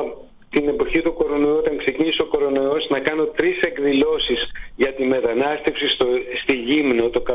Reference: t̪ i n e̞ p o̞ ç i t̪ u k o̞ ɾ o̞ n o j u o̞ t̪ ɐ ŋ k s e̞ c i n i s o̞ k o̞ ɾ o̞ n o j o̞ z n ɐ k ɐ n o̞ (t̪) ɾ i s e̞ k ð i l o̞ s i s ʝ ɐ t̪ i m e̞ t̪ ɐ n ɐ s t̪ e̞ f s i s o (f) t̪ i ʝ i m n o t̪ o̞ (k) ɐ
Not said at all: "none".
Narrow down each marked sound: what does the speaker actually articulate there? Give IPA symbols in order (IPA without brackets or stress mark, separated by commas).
t̪, s, k